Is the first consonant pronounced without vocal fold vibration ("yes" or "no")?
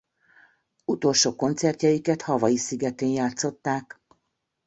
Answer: yes